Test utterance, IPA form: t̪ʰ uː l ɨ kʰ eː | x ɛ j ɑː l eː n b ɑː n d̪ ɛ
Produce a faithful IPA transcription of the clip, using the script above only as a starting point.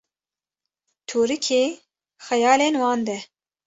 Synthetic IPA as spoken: t̪ʰ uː ɾ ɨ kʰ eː | x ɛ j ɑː l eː n w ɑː n d̪ ɛ